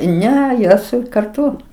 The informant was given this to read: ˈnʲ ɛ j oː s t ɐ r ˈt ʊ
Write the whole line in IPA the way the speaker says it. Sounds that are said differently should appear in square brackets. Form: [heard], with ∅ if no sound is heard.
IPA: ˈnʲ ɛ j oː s [k] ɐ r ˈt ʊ